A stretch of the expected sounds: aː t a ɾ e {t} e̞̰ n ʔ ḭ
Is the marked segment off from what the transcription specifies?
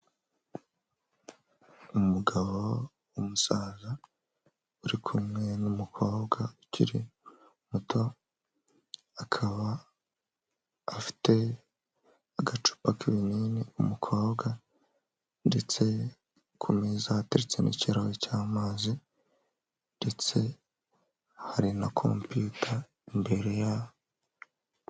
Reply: yes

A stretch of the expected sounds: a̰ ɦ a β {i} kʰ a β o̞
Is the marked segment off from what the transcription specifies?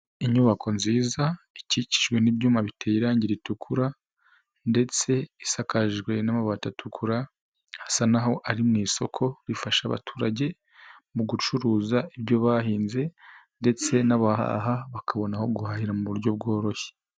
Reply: yes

